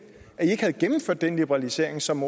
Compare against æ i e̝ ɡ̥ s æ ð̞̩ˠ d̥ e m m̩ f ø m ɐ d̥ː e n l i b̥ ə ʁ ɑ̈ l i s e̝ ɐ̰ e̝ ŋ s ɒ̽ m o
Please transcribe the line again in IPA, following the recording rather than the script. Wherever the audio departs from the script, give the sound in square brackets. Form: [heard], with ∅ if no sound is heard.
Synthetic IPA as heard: æ i e̝ ɡ̥ [h] æ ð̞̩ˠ [ɡ̥] e m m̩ f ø [∅] ɐ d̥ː e n l i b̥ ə ʁ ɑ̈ l i s e̝ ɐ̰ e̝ ŋ s ɒ̽ m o

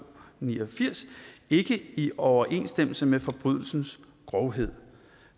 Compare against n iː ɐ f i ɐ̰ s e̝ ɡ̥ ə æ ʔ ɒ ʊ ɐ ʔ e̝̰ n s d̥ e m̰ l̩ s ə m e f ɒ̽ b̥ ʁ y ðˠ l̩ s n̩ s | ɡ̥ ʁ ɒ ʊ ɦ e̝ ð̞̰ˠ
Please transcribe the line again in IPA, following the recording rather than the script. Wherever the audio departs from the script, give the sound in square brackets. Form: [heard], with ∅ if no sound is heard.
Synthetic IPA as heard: n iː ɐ f i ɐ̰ s e̝ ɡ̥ ə [i] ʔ ɒ ʊ ɐ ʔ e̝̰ n s d̥ e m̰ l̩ s ə m e f ɒ̽ b̥ ʁ y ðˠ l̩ s n̩ s | ɡ̥ ʁ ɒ ʊ ɦ e̝ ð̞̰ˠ

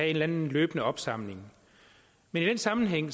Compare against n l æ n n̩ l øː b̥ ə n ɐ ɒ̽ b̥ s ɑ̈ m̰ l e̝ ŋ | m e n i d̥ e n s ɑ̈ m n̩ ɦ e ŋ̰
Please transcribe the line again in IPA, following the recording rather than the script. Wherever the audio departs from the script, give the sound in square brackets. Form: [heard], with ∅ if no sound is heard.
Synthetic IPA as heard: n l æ n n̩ l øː b̥ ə n [ə] ɒ̽ b̥ s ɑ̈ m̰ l e̝ ŋ | m e n i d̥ e n s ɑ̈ m n̩ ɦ e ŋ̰

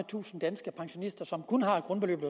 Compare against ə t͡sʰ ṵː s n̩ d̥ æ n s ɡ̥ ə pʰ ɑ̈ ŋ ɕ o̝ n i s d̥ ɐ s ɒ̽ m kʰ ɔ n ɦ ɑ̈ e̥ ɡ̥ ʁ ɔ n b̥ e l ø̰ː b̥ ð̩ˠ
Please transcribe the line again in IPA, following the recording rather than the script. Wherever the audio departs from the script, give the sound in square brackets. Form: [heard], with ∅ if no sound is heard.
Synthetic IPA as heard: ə t͡sʰ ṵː s n̩ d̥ æ n s ɡ̥ ə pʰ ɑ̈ ŋ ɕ o̝ n i s d̥ ɐ s ɒ̽ m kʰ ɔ n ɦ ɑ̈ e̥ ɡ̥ ʁ ɔ n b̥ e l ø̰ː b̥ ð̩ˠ

